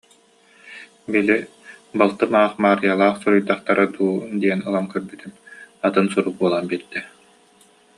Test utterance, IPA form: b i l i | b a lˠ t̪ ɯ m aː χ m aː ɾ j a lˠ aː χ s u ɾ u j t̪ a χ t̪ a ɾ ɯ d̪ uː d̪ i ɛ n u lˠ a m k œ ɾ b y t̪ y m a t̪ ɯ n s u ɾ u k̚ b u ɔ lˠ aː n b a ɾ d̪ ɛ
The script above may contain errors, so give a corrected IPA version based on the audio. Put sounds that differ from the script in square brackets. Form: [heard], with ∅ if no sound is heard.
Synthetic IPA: b i l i | b a lˠ t̪ ɯ m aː χ m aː ɾ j a lˠ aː χ s u ɾ u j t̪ a χ t̪ a ɾ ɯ d̪ uː d̪ i ɛ n [ɯ] lˠ a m k œ ɾ b y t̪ y m a t̪ ɯ n s u ɾ u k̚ b u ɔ lˠ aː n b [i] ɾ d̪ ɛ